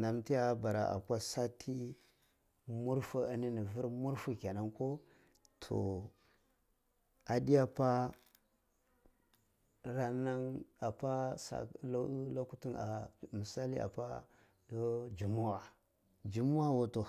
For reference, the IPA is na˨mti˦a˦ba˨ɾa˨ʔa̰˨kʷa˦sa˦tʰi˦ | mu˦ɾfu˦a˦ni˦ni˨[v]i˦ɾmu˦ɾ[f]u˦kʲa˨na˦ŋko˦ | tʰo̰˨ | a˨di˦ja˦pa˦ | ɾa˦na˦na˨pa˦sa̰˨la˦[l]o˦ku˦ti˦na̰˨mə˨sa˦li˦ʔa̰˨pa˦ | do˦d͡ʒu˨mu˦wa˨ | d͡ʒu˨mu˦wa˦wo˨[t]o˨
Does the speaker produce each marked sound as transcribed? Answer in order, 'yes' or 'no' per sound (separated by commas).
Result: yes, yes, yes, yes